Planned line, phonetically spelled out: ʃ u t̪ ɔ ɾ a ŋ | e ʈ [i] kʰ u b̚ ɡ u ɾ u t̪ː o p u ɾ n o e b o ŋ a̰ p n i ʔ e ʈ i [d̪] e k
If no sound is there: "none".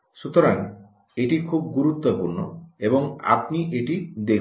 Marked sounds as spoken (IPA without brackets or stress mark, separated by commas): i, d̪